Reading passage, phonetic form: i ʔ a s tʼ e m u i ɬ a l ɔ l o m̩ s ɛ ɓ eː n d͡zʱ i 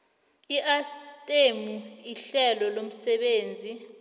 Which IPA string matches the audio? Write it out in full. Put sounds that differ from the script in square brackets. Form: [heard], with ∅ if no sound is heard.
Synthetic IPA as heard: i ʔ a s tʼ e m u i ɬ [ɛ] l ɔ l o m̩ s ɛ ɓ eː n d͡zʱ i